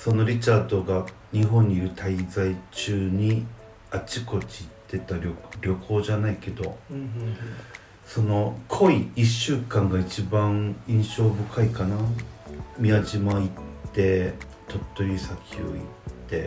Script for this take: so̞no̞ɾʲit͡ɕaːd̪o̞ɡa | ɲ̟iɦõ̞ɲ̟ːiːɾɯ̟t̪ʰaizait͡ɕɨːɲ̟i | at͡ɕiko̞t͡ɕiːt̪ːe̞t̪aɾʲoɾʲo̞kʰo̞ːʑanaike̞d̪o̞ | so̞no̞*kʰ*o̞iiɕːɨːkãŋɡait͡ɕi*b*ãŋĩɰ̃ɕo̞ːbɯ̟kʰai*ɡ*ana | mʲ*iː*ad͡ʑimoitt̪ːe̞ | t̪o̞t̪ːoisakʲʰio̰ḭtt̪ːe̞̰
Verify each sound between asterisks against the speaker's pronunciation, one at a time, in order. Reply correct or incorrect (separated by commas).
correct, correct, incorrect, incorrect